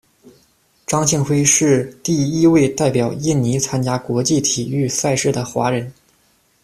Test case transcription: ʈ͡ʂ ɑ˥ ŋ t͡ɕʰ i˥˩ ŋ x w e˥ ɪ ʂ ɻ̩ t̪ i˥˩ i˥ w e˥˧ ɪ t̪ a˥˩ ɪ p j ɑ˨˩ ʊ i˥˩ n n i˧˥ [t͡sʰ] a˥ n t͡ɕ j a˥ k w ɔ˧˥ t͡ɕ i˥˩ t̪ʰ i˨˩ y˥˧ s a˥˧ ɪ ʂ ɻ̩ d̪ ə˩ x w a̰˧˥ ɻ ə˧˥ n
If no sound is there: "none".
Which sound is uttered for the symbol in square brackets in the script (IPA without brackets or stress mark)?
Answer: t͡sʰ